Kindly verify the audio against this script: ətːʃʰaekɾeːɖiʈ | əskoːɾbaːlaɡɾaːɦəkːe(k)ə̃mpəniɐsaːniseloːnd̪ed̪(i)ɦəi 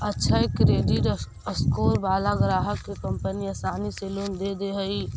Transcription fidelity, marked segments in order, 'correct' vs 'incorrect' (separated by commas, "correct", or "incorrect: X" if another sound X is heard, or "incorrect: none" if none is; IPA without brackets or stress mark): correct, incorrect: e